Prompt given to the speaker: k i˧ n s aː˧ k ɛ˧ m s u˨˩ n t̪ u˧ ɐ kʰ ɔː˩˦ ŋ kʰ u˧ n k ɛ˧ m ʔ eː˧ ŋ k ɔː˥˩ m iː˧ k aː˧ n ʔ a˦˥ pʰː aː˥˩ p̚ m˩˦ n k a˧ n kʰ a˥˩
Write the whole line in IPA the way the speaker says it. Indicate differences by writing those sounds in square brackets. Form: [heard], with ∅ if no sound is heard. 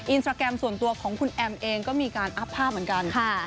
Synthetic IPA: [ʔ] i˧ n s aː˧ k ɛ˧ m s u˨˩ n t̪ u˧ ɐ kʰ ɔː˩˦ ŋ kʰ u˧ n [ʔ] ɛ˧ m ʔ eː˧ ŋ k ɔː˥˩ m iː˧ k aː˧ n ʔ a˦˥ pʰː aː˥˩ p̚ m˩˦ n k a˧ n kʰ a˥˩